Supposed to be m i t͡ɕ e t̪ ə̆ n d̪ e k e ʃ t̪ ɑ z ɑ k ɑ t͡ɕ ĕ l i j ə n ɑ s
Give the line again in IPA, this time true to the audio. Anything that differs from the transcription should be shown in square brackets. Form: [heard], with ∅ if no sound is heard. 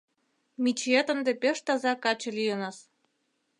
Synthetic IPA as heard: m i t͡ɕ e t̪ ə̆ n d̪ e [p] e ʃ t̪ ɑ z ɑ k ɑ t͡ɕ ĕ l i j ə n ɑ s